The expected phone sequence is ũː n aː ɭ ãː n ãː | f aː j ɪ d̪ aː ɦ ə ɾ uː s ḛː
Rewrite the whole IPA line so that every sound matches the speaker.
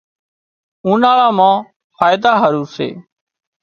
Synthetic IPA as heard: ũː n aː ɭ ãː m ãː | f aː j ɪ d̪ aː ɦ ə ɾ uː s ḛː